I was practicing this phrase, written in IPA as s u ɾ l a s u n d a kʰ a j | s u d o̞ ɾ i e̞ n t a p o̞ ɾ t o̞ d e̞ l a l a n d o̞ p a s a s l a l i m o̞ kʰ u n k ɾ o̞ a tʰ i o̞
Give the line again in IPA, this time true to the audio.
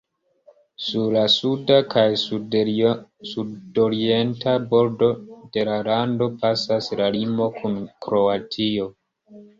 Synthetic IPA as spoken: s u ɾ l a s u d a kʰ a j | s u d o̞ ɾ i e̞ n t a b o̞ ɾ d o̞ d e̞ l a l a n d o̞ p a s a s l a l i m o̞ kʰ u n k ɾ o̞ a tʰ i o̞